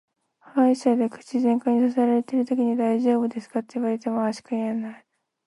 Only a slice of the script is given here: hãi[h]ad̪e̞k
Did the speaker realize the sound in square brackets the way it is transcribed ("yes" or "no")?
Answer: no